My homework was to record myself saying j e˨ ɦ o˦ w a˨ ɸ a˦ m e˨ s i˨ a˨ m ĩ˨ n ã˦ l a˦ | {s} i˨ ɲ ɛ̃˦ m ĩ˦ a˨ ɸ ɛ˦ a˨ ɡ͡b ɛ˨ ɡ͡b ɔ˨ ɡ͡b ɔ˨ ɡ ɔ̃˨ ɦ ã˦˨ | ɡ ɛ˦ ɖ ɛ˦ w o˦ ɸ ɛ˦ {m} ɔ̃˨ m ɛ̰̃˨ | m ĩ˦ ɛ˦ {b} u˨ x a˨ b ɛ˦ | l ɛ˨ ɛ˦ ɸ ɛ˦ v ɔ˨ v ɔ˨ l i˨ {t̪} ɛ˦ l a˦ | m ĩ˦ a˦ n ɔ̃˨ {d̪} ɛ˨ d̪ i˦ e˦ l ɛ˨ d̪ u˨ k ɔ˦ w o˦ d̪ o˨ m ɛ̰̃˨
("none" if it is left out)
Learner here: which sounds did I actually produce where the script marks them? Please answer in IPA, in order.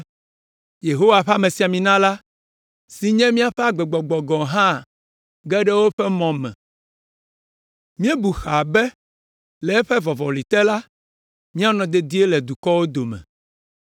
s, m, b, t̪, d̪

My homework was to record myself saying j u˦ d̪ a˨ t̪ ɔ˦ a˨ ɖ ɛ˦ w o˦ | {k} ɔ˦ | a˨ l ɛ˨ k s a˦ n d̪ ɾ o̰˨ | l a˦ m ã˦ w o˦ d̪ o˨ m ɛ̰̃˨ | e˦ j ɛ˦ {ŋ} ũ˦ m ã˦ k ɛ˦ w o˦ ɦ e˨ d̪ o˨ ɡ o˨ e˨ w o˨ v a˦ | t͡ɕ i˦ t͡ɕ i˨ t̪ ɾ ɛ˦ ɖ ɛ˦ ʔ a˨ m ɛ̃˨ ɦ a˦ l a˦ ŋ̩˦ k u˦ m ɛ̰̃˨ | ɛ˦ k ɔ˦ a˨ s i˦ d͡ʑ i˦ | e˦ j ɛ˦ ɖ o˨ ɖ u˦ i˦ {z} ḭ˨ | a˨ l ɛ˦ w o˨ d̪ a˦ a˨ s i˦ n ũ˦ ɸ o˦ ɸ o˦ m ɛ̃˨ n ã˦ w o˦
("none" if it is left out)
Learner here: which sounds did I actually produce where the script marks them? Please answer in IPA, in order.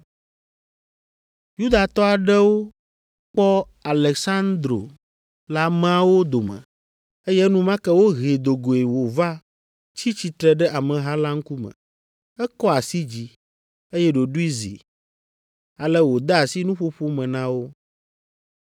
k͡p, n, z

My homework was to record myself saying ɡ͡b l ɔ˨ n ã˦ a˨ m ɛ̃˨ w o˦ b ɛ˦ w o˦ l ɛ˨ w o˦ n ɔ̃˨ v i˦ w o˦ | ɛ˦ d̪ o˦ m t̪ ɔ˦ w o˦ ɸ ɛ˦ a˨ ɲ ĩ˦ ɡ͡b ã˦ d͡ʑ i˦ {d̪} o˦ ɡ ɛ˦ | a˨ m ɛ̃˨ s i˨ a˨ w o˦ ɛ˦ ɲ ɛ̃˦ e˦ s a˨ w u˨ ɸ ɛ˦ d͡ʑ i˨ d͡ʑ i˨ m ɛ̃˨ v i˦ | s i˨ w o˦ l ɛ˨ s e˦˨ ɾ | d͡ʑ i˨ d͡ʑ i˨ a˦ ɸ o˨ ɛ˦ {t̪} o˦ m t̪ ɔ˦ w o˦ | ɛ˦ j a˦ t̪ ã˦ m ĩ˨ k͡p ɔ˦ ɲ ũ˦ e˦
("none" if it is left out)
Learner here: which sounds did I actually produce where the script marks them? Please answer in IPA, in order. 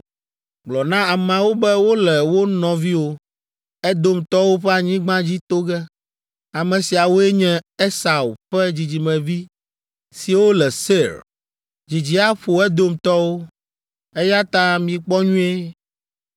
t̪, d̪

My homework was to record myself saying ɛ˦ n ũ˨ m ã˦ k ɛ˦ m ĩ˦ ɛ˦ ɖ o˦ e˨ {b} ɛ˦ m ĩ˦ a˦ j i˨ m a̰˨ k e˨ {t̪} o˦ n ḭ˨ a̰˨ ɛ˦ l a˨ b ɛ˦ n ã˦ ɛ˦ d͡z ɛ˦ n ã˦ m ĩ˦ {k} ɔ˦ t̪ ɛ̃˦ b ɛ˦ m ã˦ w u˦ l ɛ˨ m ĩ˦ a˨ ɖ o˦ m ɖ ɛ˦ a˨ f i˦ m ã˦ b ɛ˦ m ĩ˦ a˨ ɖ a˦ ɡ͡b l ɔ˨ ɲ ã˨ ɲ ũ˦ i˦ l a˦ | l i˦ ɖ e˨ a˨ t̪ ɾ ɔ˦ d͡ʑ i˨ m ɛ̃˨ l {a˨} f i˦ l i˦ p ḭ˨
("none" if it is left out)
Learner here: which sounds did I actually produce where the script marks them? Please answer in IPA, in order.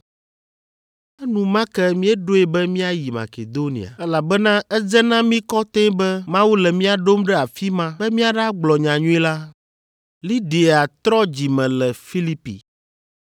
b, d̪, k, ɛ˨

